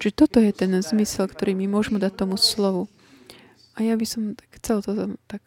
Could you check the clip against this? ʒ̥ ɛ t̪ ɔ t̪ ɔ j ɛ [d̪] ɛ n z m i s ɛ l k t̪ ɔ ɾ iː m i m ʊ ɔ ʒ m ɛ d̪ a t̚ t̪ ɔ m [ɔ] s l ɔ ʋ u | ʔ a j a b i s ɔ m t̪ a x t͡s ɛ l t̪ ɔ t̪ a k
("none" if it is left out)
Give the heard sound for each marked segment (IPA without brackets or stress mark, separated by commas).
t̪, u